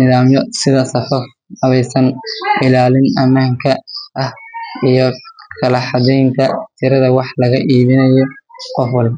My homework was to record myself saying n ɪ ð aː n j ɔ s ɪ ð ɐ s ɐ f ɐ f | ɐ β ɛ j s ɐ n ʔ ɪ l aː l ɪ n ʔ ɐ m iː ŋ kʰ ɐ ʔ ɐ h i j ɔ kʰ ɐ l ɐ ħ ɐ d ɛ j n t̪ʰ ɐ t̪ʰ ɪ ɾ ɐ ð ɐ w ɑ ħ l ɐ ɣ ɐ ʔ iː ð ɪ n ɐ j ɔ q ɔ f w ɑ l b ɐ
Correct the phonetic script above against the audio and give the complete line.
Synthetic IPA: n ɪ ð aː m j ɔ s ɪ ð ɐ s ɐ f ɐ f | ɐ β ɛ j s ɐ n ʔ ɪ l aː l ɪ n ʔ ɐ m aː ŋ kʰ ɐ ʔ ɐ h i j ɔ kʰ ɐ l ɐ ħ ɑ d ɛ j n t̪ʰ ɐ t̪ʰ ɪ ɾ ɐ ð ɐ w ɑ ħ l ɐ ɣ ɐ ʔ iː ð ɪ n ɐ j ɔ q ɔ f w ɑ l b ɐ